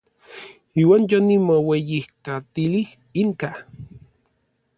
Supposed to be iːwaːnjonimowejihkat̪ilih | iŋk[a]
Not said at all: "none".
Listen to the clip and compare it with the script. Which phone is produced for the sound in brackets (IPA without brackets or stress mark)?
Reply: a